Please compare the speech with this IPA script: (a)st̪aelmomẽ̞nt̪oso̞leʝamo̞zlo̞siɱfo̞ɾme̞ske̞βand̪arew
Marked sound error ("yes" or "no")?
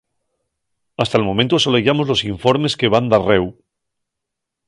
no